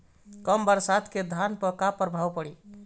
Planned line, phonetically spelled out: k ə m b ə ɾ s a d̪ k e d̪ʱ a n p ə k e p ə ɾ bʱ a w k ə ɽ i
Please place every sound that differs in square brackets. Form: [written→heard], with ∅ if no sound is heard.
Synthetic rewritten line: k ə m b ə ɾ s a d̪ k e d̪ʱ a n p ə k [e→a] p ə ɾ bʱ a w [k→p] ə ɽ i